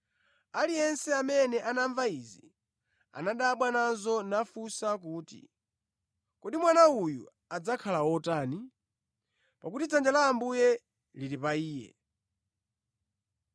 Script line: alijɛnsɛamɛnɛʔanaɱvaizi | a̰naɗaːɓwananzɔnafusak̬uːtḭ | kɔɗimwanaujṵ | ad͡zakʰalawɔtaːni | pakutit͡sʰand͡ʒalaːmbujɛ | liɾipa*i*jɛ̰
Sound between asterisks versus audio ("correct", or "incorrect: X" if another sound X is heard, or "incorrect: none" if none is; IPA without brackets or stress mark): incorrect: iː